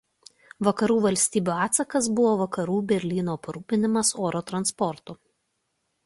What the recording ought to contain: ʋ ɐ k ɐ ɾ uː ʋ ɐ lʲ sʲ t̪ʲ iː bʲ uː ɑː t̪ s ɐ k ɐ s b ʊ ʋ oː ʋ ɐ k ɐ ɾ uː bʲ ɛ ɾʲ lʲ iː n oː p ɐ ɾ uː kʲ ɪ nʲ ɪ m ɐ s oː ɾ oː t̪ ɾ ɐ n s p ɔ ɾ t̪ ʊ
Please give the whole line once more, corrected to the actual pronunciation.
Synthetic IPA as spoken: ʋ ɐ k ɐ ɾ uː ʋ ɐ lʲ sʲ t̪ʲ iː bʲ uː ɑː t̪ s ɐ k ɐ s b ʊ ʋ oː ʋ ɐ k ɐ ɾ uː bʲ ɛ ɾʲ lʲ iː n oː p ɐ ɾ uː pʲ ɪ nʲ ɪ m ɐ s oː ɾ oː t̪ ɾ ɐ n s p ɔ ɾ t̪ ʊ